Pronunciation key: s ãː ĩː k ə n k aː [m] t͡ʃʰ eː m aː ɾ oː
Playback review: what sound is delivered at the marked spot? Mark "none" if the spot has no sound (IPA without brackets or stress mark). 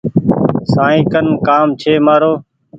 m